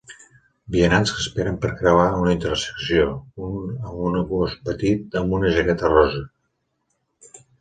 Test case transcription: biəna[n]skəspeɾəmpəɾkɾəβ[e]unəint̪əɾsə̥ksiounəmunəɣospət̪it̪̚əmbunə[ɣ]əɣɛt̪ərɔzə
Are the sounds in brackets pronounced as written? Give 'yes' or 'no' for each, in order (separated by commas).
yes, no, no